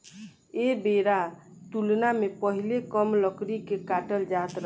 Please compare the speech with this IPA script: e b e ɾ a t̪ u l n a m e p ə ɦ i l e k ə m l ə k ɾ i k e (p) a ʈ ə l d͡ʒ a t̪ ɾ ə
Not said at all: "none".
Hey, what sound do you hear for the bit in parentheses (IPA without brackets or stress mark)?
k